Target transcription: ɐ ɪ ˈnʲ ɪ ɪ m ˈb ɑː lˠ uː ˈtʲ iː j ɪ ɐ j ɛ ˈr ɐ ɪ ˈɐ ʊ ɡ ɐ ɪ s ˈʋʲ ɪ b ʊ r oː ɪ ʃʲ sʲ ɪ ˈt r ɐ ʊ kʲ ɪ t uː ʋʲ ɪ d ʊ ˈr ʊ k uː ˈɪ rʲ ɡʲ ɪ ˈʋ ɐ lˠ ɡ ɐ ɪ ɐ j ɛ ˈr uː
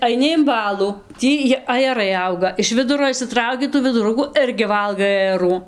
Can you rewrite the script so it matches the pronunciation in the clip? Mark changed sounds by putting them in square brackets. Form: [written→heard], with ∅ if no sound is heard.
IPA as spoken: ɐ ɪ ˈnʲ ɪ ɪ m ˈb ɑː lˠ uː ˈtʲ iː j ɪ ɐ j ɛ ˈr ɐ ɪ ˈɐ ʊ ɡ ɐ ɪ [s→ʃ] ˈʋʲ ɪ [b→d] ʊ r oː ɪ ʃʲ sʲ ɪ ˈt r ɐ ʊ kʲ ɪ t uː ʋʲ ɪ d ʊ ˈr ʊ k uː ˈɪ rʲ ɡʲ ɪ ˈʋ ɐ lˠ ɡ ɐ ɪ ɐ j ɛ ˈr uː